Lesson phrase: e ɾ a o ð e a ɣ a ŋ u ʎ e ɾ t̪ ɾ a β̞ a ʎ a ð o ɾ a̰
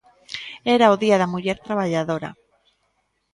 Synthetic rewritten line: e ɾ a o ð i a ð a m u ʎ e ɾ t̪ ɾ a β̞ a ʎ a ð o ɾ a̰